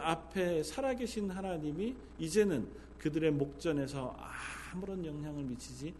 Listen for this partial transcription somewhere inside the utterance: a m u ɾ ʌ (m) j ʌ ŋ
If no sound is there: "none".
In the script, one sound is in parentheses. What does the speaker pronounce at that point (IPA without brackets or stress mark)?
n